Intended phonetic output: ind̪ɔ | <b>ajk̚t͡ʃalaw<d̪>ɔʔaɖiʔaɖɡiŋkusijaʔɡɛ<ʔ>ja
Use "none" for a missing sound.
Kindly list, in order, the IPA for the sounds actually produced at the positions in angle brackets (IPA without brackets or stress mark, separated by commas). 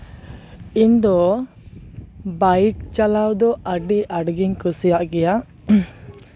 b, d̪, none